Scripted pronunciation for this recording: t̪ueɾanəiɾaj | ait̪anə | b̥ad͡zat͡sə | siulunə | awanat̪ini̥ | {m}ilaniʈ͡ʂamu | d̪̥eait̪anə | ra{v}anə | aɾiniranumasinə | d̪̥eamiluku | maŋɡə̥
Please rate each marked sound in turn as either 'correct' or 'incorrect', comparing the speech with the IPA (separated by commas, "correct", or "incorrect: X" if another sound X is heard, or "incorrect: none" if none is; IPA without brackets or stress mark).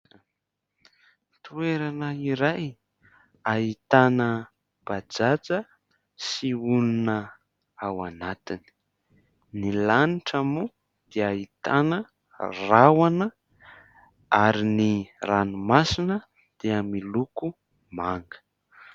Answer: incorrect: n, incorrect: w